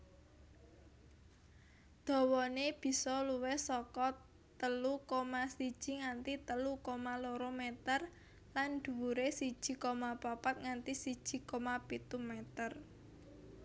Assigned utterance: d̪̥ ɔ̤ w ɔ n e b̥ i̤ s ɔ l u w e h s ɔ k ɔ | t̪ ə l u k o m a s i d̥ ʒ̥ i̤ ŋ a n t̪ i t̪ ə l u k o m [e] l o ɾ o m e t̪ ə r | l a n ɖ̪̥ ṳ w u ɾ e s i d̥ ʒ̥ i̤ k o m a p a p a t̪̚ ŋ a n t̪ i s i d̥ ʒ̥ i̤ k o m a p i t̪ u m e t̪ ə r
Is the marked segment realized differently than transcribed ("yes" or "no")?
yes